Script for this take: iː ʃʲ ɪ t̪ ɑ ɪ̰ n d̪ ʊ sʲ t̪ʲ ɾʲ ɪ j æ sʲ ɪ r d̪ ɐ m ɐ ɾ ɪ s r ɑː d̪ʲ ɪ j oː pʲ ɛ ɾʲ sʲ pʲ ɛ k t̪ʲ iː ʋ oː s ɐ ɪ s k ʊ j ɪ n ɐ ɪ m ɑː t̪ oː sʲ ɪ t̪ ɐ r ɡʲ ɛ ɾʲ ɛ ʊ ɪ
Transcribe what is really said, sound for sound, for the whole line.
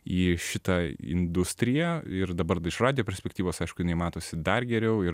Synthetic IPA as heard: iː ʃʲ ɪ t̪ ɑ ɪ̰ n d̪ ʊ sʲ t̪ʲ ɾʲ ɪ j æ ɪ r d̪ ɐ b ɐ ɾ ɪ ʃ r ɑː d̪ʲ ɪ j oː pʲ ɛ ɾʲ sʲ pʲ ɛ k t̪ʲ iː ʋ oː s ɐ ɪ ʃ k ʊ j ɪ n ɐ ɪ m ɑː t̪ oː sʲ ɪ d̪ ɐ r ɡʲ ɛ ɾʲ ɛ ʊ ɪ